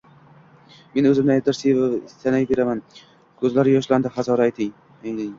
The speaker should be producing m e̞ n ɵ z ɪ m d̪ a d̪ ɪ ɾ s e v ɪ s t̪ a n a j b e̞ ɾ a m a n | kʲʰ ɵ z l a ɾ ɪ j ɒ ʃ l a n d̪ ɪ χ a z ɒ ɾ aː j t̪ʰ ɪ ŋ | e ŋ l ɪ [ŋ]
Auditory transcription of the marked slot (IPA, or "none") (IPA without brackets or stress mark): ŋ